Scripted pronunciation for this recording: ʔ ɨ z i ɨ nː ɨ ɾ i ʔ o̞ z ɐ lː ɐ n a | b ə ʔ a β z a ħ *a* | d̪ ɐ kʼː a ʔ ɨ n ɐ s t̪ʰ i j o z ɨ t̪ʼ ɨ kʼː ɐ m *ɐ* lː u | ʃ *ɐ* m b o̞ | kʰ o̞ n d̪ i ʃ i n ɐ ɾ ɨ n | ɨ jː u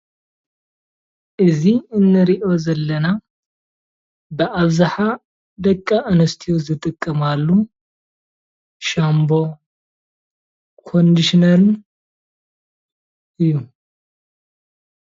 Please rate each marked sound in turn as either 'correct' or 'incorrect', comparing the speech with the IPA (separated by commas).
correct, incorrect, incorrect